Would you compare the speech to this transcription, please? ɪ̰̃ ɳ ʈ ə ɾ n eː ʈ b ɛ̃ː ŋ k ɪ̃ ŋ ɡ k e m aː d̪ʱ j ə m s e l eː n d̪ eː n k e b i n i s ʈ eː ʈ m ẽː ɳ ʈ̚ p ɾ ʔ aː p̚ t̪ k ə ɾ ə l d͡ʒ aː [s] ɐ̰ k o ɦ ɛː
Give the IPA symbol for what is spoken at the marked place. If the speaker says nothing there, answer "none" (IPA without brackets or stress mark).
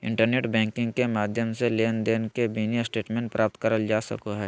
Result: s